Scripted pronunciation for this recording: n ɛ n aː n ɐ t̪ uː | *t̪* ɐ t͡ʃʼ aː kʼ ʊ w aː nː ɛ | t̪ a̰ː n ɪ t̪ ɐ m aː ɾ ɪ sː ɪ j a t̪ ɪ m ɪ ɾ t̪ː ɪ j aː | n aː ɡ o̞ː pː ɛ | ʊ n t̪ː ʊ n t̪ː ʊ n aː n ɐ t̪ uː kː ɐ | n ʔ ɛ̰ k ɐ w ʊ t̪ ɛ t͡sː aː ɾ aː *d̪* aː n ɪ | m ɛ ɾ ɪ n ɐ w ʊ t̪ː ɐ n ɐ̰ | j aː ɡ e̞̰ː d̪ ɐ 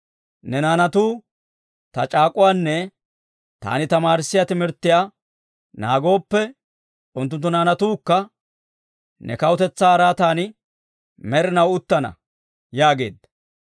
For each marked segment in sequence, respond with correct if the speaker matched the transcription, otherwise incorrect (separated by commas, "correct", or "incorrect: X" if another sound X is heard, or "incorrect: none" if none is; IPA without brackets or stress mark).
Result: correct, incorrect: t̪